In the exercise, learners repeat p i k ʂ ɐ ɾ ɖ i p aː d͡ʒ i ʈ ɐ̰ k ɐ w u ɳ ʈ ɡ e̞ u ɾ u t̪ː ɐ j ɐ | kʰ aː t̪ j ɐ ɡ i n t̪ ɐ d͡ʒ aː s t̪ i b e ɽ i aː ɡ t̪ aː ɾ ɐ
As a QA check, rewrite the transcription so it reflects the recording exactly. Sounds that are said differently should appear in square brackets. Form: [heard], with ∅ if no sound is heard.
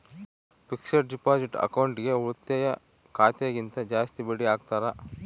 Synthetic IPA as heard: p i k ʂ ɐ ɾ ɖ i p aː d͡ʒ i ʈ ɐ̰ k ɐ w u ɳ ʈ ɡ e̞ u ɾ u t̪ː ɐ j ɐ | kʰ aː t̪ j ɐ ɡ i n t̪ ɐ d͡ʒ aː s t̪ i b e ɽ i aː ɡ t̪ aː ɾ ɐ